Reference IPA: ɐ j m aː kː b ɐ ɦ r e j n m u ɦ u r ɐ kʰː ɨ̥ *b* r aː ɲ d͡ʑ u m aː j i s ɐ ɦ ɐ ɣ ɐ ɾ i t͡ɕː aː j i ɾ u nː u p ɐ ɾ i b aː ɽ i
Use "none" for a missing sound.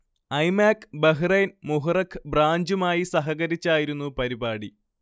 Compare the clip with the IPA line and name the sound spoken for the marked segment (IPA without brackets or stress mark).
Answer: b